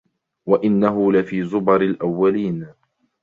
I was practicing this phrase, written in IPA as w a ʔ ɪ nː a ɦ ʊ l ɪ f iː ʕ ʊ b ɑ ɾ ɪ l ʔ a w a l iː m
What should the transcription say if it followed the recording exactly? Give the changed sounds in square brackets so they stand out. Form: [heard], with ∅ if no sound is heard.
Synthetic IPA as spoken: w a ʔ ɪ nː a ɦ ʊ l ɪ f iː [z] ʊ b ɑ ɾ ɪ l ʔ a [wː] a l iː [n]